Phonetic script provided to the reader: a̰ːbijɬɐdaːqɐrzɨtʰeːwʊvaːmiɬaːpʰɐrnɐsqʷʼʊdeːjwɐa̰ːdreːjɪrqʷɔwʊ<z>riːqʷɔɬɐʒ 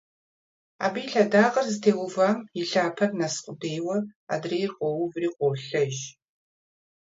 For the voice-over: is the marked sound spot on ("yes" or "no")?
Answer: no